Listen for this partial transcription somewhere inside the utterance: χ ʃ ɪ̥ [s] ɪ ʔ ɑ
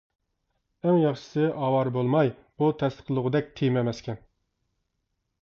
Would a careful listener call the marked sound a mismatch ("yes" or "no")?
no